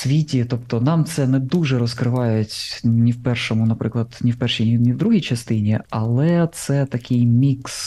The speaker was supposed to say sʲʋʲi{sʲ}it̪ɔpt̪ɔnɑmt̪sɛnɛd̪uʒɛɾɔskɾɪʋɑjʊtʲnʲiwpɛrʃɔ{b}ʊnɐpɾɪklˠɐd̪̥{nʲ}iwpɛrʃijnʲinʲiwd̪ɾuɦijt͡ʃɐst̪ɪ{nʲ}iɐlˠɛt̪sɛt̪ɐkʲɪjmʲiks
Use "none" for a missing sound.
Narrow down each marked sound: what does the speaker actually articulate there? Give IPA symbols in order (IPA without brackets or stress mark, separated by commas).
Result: tʲ, m, nʲ, nʲ